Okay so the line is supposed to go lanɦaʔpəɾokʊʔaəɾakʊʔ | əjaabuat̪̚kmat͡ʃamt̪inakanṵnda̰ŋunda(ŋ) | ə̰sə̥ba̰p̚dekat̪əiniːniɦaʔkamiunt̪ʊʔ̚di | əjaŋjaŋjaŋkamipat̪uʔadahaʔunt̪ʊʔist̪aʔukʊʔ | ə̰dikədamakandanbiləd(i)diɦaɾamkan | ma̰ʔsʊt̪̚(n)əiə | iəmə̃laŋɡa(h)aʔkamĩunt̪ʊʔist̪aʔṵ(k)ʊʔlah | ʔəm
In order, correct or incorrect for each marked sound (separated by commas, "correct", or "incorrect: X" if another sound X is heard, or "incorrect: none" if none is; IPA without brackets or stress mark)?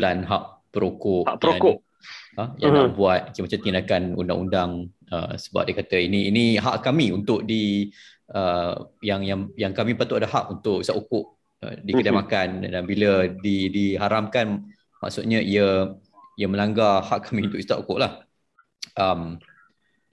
correct, correct, incorrect: ɲ, correct, correct